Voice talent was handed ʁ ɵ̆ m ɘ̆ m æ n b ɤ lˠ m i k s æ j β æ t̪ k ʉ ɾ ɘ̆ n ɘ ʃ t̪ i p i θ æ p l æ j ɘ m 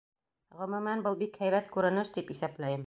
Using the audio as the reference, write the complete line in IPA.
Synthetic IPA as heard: ʁ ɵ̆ m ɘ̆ m æ n b ɤ lˠ b i k h æ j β æ t̪ k ʉ ɾ ɘ̆ n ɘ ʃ t̪ i p i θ æ p l æ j ɘ m